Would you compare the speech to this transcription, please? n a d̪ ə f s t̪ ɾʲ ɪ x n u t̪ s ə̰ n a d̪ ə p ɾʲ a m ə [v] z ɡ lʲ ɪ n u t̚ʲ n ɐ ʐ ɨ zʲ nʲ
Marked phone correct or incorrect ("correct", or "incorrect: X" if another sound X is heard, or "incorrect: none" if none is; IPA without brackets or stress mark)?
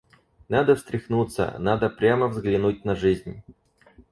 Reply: correct